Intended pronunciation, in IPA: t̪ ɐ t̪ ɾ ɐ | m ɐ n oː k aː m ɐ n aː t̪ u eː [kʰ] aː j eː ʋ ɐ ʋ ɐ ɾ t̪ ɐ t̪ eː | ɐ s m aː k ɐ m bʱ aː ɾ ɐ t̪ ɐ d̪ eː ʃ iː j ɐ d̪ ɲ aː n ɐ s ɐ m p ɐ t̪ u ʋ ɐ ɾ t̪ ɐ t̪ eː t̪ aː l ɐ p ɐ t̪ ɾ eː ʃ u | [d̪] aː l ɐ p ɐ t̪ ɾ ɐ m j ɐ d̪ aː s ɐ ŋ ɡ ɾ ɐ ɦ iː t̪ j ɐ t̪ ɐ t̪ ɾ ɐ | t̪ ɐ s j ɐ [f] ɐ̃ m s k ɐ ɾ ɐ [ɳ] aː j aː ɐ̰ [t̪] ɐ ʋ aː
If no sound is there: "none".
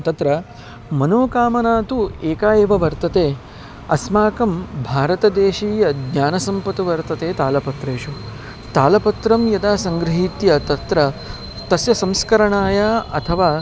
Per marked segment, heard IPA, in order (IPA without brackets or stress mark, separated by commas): k, t̪, s, ɳ, t̪ʰ